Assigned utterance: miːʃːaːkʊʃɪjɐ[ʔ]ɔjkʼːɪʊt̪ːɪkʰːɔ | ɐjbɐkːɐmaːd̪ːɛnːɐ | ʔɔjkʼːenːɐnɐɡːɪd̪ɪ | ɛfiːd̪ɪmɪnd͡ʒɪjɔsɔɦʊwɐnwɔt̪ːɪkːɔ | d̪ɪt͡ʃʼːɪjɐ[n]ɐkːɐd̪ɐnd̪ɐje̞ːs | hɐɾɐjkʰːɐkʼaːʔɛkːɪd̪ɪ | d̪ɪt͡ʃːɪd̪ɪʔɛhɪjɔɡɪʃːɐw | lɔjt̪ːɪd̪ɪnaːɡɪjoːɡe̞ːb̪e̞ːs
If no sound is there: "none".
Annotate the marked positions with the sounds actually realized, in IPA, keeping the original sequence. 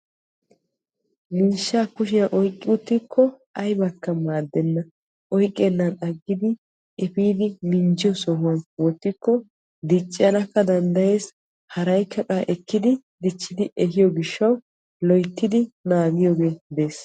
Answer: ʔ, n

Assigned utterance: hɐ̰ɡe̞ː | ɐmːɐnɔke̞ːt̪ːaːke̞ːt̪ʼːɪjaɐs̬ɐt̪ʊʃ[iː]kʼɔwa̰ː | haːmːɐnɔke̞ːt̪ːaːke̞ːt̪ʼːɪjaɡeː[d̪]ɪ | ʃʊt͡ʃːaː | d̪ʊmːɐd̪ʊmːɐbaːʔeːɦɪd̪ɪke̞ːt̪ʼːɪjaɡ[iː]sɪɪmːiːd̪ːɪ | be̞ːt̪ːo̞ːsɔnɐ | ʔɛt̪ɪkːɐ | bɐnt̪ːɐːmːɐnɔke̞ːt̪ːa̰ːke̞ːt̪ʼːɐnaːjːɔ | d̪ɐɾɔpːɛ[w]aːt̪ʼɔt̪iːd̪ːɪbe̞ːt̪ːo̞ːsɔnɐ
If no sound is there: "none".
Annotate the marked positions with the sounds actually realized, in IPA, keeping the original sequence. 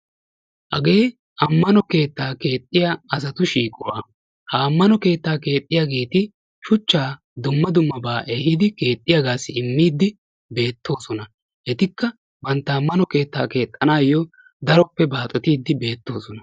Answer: iː, t̪, aː, b

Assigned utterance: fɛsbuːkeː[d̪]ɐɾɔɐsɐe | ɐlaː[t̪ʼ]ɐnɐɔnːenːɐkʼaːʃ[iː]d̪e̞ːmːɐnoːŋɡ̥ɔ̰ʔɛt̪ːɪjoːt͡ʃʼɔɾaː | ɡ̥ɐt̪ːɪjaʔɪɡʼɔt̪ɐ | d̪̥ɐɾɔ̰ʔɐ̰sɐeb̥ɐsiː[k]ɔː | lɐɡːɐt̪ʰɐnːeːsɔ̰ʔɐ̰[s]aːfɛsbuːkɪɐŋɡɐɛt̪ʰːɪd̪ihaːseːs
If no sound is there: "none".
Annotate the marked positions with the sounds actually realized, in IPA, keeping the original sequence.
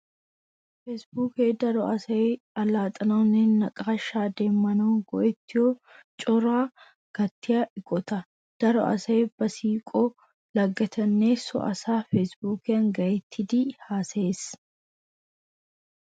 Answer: d̪, t̪ʼ, aː, kʼ, s

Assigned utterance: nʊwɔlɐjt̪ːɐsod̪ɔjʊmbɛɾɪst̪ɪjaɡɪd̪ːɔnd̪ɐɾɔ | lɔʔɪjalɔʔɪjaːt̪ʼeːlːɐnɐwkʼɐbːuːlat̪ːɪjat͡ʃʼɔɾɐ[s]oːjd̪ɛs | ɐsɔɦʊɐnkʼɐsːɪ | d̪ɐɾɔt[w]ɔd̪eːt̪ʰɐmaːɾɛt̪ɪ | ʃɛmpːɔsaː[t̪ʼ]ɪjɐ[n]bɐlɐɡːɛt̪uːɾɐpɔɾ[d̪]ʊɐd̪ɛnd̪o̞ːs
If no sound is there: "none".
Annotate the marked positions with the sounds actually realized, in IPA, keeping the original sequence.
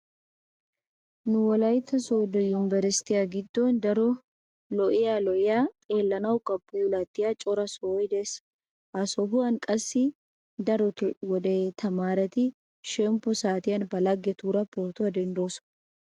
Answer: s, w, t̪, n, t̪

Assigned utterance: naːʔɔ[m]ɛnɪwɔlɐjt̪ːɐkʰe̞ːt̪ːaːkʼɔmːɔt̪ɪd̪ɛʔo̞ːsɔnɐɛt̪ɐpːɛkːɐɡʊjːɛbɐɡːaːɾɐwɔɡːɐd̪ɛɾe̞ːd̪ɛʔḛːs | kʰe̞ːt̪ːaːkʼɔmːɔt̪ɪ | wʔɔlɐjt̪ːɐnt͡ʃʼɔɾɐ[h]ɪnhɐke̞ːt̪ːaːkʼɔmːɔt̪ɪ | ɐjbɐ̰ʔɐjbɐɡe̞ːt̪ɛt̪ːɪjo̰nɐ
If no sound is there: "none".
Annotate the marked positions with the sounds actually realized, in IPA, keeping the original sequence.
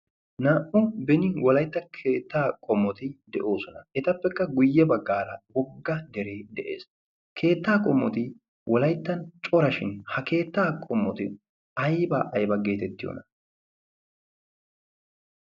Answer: b, ʃ

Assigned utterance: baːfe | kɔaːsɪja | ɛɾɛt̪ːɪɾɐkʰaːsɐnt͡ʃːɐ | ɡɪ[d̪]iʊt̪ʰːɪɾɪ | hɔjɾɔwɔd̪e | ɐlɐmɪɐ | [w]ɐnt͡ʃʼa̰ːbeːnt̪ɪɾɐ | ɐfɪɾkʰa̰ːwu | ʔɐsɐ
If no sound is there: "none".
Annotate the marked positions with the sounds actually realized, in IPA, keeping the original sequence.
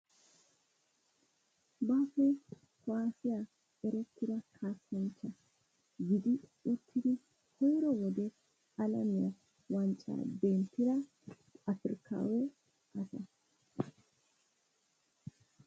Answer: d̪, w

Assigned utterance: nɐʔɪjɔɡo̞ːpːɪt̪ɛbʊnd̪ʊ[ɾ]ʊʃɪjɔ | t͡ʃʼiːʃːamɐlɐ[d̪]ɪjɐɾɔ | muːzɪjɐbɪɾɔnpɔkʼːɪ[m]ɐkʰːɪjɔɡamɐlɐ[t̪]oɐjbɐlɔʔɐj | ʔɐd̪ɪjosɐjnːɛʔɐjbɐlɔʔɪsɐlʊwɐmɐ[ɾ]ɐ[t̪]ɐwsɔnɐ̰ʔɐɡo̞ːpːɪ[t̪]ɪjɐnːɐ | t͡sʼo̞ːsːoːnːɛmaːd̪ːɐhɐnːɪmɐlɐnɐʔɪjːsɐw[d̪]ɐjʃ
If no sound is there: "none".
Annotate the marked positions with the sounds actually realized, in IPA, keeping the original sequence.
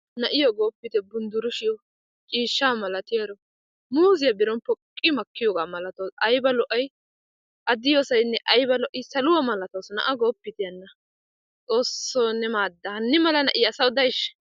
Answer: ɾ, t̪, m, t̪, l, t̪, t̪, d̪

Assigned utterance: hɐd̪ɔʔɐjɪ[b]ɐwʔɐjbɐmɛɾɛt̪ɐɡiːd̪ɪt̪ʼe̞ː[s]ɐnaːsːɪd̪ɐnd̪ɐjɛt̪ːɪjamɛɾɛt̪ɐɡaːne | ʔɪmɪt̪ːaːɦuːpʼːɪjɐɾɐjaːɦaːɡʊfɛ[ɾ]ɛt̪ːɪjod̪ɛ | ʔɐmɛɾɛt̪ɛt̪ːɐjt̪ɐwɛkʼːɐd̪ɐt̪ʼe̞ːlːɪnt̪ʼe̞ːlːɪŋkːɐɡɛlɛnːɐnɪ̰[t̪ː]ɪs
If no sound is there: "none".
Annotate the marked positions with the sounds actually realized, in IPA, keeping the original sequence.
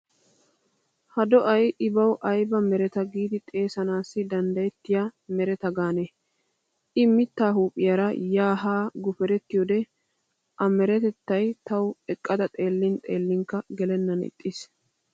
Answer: b, s, ɾ, t̪ʼː

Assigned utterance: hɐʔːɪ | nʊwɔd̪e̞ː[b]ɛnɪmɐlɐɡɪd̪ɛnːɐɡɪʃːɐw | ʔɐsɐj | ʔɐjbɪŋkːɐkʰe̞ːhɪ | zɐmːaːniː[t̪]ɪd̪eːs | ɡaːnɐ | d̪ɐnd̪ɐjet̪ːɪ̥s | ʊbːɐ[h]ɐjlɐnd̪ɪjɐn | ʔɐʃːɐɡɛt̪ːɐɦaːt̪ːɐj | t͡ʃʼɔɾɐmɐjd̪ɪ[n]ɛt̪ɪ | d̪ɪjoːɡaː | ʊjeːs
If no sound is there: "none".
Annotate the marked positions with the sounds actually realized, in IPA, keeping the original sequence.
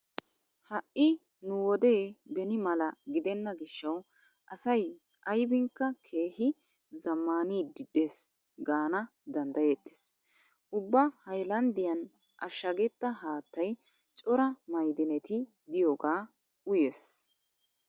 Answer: b, d̪, h, n

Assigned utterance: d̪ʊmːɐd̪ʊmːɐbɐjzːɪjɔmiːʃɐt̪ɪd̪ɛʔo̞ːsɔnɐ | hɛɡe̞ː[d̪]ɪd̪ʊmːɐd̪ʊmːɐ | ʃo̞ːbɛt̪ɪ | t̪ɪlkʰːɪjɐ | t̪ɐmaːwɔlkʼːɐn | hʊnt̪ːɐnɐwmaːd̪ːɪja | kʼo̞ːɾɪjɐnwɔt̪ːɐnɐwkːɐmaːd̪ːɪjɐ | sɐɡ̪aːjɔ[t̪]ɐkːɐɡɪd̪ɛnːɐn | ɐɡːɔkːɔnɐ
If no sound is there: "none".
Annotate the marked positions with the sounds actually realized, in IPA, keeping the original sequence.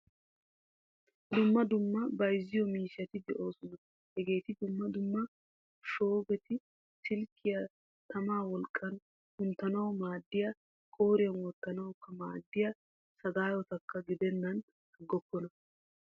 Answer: t̪, t̪

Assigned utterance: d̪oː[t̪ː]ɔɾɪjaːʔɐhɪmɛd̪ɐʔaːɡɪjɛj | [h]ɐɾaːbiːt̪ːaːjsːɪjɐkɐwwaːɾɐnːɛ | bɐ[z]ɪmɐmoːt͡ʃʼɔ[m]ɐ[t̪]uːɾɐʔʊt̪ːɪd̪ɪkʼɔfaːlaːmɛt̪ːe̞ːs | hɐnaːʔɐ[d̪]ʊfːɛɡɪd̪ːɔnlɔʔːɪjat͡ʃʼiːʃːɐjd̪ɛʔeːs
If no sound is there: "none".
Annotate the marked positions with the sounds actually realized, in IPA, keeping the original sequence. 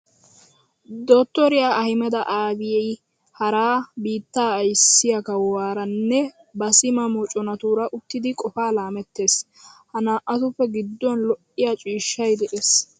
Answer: t̪ː, h, s, n, t̪, t̪

